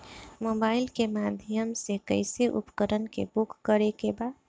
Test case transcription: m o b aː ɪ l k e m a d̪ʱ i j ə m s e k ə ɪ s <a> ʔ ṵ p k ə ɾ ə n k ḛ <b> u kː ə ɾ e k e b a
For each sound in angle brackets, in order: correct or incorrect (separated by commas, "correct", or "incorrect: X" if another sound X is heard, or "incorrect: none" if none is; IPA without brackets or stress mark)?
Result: incorrect: e, correct